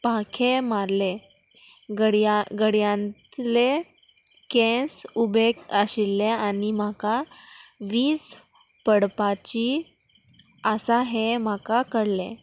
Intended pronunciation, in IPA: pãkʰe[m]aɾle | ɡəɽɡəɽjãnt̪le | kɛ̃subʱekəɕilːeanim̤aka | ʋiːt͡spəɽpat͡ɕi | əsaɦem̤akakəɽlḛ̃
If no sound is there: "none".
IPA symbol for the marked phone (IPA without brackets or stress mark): m